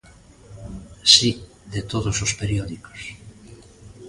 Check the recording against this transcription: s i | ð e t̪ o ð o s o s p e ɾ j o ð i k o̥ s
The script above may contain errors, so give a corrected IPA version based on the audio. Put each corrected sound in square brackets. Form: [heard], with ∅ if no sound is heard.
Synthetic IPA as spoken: s i | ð e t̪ o ð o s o s p e ɾ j o ð i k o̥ s